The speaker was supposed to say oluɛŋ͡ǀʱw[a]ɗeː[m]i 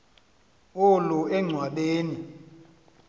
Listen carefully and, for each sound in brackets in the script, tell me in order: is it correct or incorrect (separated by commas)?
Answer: correct, incorrect